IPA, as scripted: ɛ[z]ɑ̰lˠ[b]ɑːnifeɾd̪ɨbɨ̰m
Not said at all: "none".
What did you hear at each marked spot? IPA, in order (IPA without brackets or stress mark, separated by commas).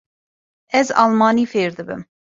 z, m